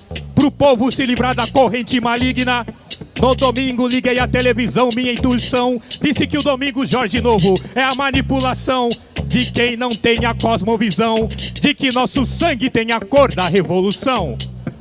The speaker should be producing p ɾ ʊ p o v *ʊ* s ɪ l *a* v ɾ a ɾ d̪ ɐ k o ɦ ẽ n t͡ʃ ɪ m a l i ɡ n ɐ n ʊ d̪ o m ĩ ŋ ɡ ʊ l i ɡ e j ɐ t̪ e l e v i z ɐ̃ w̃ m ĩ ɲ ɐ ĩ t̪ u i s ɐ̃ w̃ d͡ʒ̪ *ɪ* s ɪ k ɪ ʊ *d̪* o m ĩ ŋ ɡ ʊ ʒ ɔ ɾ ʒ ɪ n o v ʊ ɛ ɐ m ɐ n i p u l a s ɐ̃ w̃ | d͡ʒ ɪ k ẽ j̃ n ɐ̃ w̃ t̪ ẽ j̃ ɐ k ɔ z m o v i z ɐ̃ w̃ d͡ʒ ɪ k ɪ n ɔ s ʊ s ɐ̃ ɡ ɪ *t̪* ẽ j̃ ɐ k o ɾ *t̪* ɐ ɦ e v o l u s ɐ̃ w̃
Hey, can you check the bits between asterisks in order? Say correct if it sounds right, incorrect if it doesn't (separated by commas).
correct, incorrect, incorrect, correct, correct, incorrect